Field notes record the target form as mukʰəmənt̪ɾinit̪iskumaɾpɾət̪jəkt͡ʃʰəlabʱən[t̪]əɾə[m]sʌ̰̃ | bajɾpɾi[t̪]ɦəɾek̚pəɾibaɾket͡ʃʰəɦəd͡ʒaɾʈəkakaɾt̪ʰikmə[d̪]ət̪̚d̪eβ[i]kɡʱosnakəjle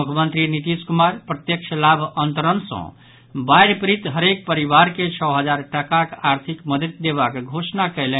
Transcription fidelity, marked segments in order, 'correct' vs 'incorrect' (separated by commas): correct, incorrect, correct, correct, incorrect